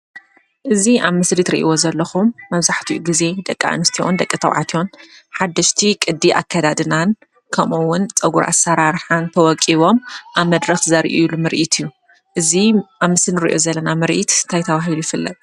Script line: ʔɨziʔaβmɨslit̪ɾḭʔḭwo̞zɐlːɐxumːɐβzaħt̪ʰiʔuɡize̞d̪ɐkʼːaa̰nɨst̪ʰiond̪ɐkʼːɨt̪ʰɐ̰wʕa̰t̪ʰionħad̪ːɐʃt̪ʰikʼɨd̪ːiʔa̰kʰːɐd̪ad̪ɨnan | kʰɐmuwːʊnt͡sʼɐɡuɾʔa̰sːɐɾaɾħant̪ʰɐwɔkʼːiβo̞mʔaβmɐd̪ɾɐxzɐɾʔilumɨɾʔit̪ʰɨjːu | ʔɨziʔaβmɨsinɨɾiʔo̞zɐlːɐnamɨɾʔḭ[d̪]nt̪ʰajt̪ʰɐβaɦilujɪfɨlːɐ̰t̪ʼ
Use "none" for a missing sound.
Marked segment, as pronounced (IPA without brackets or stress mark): t̪